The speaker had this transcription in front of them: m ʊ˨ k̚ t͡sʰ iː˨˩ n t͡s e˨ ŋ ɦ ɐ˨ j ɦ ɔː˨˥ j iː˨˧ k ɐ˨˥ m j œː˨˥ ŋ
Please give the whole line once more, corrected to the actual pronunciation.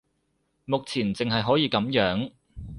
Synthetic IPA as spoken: m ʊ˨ k̚ t͡sʰ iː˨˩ n t͡s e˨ ŋ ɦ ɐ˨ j ɦ ɔː˨˥ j iː˨˧ k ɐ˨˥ m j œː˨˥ ŋ